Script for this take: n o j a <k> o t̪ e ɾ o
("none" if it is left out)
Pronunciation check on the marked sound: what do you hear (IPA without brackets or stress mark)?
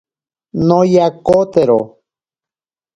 k